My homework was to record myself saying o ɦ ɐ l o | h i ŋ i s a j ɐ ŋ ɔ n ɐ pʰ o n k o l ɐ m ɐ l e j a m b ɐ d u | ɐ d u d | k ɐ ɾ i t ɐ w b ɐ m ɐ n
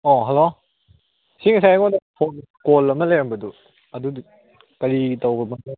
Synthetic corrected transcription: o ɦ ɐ l o | s i ŋ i s a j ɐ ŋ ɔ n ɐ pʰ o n k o l ɐ m ɐ l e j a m b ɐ d u | ɐ d u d | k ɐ ɾ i t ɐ w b ɐ m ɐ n